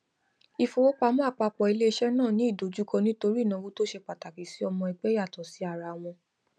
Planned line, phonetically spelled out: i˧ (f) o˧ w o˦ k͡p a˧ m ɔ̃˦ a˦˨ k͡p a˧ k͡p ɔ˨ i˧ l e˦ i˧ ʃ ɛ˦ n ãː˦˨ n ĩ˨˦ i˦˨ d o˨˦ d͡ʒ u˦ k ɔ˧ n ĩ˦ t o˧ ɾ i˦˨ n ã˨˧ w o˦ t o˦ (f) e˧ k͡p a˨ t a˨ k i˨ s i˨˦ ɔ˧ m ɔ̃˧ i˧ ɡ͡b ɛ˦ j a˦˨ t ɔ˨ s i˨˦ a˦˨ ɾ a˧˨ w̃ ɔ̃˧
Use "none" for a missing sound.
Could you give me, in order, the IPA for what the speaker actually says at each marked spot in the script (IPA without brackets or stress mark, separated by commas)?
f, ʃ